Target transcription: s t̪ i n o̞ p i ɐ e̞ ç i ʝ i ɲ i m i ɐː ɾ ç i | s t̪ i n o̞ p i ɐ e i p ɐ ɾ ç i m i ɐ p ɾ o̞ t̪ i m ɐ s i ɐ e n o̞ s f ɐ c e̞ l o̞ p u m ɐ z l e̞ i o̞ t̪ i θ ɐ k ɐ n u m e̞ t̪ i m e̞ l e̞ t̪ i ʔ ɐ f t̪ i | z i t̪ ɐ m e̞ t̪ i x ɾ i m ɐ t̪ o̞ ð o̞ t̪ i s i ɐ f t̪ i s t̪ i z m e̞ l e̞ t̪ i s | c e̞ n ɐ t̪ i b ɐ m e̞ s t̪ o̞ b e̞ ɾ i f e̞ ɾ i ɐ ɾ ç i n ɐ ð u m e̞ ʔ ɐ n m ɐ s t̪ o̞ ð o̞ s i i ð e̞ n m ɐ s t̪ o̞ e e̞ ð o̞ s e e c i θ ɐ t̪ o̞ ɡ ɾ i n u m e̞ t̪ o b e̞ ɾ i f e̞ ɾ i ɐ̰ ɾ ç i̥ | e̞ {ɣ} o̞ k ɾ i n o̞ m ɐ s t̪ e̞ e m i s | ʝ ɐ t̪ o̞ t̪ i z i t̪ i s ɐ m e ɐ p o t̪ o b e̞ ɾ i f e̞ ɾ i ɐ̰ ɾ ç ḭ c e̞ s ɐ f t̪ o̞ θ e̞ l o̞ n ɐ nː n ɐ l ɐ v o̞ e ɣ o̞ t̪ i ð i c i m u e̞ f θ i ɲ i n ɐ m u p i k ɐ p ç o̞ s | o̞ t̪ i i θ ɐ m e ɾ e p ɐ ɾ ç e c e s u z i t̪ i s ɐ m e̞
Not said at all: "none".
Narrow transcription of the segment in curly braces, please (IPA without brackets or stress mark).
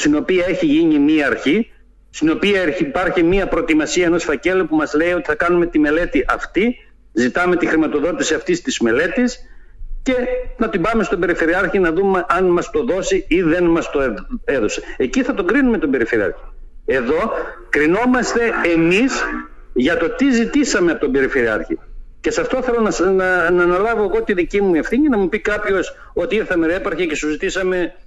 ð